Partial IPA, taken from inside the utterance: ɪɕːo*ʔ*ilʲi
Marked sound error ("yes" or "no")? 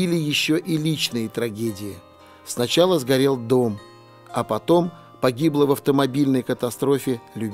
no